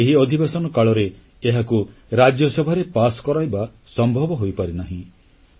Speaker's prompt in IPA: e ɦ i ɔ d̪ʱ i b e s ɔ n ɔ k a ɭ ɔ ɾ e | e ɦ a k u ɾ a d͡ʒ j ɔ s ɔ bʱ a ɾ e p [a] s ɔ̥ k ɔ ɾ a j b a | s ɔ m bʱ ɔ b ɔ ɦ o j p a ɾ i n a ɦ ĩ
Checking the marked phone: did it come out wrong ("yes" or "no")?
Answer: no